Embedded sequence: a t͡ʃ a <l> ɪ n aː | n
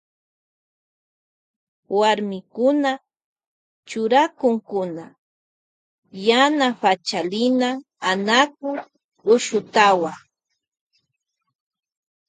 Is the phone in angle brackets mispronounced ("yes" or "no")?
no